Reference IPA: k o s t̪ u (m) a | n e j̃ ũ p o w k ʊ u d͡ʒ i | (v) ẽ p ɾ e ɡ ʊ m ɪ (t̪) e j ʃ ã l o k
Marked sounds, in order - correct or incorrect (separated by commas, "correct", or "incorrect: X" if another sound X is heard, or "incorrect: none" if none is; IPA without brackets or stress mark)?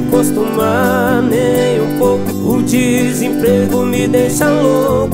correct, incorrect: z, incorrect: d̪